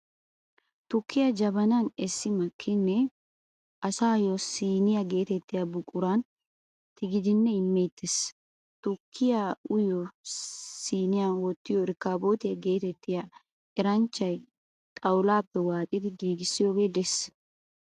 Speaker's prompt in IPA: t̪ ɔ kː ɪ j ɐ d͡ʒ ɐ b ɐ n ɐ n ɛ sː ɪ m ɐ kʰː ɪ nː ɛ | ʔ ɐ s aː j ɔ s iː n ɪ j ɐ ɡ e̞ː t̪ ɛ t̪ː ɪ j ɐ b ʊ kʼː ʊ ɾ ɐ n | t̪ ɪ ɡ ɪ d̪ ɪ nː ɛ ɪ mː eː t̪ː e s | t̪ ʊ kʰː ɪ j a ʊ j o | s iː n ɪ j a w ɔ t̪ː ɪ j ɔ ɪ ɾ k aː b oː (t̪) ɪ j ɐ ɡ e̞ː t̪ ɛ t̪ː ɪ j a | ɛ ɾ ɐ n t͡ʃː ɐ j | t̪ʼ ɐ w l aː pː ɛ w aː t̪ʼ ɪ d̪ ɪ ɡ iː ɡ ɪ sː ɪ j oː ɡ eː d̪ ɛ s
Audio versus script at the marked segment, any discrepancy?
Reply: no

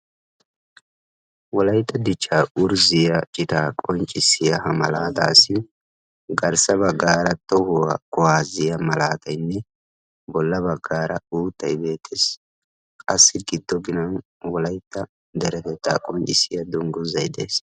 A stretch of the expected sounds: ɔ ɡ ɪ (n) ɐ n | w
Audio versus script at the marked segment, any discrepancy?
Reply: no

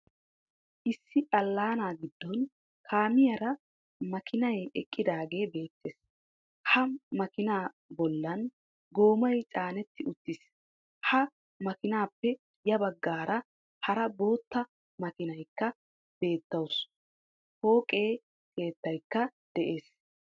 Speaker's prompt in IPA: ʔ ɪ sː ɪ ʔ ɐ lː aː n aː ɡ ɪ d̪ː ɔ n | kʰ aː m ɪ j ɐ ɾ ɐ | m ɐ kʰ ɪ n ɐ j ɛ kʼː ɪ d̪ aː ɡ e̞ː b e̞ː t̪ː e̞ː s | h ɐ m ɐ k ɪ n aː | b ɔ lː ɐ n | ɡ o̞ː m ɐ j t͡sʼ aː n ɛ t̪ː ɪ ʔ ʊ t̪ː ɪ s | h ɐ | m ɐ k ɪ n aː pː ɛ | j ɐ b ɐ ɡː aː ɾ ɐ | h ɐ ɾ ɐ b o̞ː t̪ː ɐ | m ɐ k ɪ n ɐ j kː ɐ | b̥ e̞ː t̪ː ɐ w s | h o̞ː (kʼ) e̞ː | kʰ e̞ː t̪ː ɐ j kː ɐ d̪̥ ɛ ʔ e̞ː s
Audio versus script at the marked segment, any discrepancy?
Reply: no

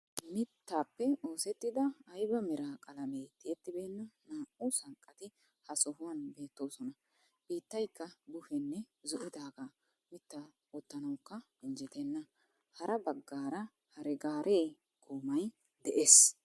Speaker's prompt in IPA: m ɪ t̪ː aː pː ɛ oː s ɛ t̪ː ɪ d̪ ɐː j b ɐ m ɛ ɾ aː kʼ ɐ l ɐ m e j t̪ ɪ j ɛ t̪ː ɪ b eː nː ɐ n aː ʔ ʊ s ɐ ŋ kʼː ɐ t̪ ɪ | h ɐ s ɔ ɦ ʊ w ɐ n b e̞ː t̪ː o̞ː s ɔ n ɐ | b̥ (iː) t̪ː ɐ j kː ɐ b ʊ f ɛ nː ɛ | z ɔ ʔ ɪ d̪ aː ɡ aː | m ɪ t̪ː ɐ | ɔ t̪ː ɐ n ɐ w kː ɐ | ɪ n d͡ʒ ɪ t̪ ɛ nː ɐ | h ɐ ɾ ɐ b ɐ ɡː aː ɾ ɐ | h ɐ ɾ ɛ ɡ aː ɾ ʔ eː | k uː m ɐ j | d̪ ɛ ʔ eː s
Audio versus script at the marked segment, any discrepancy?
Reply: no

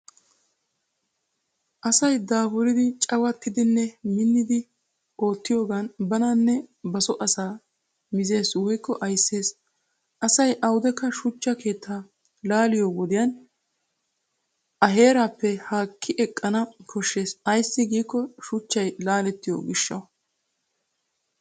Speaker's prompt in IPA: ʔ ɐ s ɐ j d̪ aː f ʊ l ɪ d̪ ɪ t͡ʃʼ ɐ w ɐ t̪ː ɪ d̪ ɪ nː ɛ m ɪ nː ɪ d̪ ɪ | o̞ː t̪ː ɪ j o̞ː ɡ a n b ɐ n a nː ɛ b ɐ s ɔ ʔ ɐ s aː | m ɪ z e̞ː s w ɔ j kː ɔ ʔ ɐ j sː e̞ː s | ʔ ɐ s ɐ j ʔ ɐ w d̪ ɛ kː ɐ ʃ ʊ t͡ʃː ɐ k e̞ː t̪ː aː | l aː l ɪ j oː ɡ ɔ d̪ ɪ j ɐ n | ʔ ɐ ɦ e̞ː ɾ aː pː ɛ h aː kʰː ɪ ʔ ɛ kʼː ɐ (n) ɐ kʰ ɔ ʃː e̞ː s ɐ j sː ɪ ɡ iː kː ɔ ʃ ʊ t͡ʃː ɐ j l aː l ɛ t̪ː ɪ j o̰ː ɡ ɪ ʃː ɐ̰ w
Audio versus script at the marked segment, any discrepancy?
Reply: no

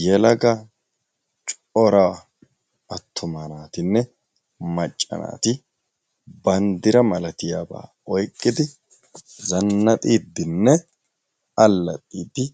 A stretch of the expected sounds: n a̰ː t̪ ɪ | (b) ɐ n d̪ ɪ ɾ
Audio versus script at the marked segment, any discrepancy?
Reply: no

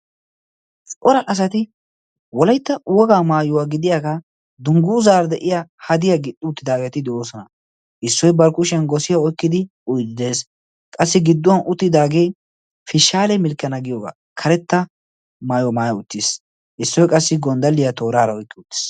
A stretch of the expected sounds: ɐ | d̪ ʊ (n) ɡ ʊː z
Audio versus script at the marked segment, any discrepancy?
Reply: yes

